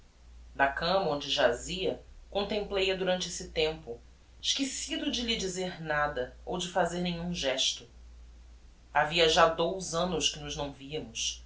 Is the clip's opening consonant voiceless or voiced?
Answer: voiced